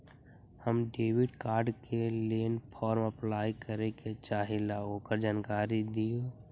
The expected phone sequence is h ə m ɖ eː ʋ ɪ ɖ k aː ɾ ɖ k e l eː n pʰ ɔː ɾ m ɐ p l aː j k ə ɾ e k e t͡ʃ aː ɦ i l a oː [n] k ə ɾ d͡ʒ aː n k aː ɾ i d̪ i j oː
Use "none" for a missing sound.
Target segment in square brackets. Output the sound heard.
none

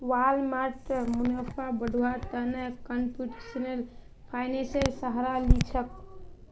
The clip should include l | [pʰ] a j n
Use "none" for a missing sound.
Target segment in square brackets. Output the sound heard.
pʰ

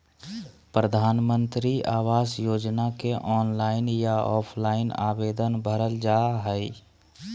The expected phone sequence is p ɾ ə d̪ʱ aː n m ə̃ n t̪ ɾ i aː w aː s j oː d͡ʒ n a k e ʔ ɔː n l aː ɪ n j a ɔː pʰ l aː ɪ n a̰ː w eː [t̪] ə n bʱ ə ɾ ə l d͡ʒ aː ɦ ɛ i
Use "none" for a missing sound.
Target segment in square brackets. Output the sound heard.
d̪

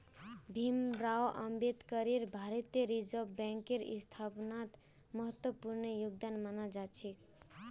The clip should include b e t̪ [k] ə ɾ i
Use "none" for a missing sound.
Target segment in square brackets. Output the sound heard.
k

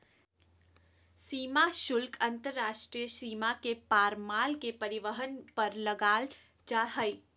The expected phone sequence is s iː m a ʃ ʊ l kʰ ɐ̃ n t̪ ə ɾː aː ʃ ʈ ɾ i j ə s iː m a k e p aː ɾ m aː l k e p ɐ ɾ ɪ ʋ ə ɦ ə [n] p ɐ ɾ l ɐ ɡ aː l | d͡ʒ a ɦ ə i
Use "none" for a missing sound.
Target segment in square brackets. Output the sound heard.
n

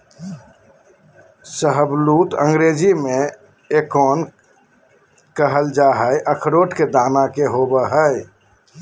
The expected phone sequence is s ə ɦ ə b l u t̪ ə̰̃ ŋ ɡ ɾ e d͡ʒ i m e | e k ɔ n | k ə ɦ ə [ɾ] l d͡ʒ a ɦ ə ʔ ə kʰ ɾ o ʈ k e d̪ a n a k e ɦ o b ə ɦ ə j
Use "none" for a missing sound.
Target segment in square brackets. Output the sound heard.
none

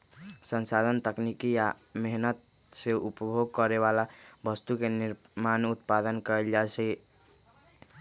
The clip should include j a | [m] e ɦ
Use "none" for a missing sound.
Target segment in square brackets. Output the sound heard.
m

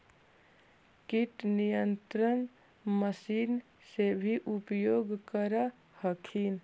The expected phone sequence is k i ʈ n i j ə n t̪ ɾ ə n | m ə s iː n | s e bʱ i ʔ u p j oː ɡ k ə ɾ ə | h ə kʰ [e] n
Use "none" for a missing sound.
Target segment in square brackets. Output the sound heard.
i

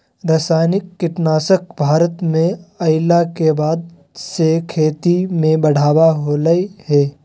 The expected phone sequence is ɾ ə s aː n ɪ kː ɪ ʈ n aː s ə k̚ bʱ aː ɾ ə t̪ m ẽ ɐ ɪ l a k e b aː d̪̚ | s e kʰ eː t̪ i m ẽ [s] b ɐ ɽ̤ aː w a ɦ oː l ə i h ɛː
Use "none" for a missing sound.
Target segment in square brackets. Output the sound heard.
none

